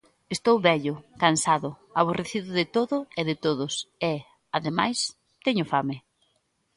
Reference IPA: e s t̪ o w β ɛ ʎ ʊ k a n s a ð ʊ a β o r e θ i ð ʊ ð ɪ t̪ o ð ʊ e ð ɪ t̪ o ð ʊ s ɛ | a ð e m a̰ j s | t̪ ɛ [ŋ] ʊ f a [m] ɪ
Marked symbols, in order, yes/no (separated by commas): no, yes